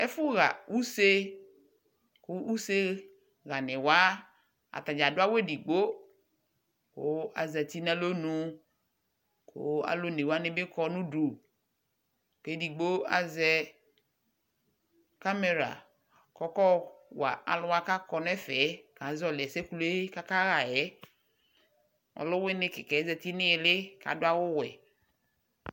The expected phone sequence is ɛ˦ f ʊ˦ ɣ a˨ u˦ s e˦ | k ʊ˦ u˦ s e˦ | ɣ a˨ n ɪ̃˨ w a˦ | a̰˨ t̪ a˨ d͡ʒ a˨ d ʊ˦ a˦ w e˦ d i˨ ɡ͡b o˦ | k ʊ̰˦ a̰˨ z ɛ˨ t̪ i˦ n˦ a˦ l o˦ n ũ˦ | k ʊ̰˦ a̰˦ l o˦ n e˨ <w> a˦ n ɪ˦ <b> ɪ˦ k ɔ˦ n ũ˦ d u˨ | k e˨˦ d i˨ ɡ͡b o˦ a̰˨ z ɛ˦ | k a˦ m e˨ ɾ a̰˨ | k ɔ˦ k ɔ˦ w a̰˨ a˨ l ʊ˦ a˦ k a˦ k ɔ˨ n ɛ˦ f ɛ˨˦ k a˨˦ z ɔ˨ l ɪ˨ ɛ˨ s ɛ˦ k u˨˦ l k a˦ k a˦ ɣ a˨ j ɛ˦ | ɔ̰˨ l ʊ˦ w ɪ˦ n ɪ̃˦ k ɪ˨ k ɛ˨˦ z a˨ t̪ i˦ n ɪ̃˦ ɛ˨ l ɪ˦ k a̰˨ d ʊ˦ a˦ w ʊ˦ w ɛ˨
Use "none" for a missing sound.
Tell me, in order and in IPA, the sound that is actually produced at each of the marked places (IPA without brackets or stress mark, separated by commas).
w, b